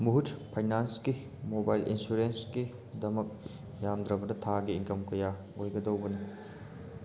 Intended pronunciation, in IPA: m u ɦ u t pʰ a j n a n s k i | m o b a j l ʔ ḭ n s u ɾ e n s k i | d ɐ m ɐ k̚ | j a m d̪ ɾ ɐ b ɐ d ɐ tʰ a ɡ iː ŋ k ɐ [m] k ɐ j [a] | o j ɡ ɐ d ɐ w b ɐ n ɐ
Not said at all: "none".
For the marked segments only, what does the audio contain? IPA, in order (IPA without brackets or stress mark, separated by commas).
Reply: m, a